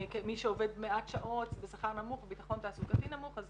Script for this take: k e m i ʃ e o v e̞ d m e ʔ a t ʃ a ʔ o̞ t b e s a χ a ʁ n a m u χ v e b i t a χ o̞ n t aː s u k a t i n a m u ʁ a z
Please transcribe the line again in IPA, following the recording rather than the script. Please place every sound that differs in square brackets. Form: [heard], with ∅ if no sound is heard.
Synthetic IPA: k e m i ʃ e o v e̞ d m e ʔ a t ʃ a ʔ o̞ t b e s a χ a ʁ n a m u χ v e b i t a χ o̞ n t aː s u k a t i n a m u [χ] a z